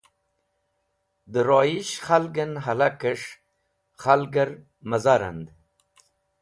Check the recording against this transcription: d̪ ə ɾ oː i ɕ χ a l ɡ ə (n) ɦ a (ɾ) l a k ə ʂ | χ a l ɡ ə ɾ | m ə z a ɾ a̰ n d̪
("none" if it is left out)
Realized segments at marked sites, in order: n, none

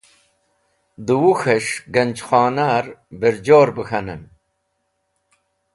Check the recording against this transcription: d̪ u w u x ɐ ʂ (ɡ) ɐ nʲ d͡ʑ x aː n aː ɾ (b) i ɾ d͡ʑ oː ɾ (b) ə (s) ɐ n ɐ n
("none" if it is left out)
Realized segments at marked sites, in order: ɡ, b, b, x

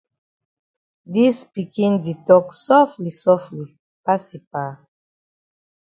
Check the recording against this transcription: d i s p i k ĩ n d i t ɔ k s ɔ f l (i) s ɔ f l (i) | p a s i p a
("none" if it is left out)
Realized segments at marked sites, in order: i, i

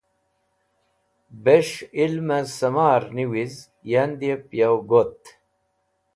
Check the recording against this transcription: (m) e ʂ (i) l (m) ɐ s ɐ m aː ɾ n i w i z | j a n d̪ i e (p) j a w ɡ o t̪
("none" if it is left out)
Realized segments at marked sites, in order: b, i, m, p

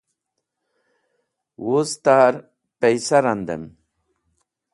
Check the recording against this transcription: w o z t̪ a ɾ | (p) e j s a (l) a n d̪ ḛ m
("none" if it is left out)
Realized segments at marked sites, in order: p, ɾ

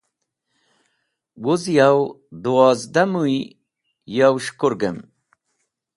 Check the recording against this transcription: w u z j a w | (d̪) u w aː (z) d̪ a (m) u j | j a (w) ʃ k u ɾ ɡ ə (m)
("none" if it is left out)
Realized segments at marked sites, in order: d̪, z, m, w, m

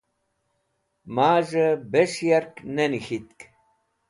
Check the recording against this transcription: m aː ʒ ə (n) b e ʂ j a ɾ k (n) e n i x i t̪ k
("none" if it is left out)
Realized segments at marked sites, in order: none, n

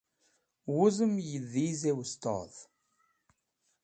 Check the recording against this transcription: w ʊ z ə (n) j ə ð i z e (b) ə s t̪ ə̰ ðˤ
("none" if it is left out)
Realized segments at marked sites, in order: m, w

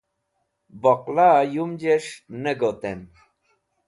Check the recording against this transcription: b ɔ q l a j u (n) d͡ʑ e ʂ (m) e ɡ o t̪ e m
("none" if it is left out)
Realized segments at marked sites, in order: m, n

